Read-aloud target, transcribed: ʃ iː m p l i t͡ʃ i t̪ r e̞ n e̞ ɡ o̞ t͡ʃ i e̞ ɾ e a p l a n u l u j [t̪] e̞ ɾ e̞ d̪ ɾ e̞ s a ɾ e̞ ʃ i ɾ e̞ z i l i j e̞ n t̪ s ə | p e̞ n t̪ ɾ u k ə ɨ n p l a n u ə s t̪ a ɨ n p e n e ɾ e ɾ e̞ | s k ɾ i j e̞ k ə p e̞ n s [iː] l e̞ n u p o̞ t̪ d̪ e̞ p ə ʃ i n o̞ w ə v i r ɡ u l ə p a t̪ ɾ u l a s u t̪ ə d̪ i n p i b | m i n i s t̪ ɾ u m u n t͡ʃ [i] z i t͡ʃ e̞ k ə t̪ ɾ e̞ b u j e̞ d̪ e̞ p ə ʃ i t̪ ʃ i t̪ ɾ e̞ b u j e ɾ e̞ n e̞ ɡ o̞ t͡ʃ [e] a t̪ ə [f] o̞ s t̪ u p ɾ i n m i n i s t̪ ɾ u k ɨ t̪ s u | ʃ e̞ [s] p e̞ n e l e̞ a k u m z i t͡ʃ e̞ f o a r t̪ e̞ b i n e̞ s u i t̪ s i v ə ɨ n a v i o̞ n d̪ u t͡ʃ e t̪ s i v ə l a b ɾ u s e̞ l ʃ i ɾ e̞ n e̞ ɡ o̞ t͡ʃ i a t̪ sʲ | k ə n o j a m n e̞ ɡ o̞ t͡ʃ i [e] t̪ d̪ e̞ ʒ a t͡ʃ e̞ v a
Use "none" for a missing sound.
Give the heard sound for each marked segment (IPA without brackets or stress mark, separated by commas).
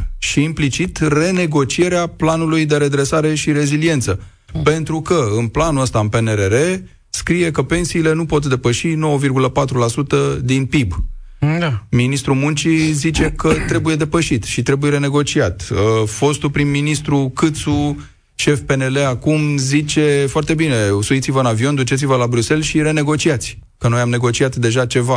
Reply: d̪, iː, i, i, f, f, a